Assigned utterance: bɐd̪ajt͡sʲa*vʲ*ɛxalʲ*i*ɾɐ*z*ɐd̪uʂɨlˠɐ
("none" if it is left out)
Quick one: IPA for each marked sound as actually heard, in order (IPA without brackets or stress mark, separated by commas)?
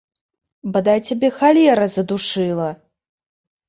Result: bʲ, ɛ, z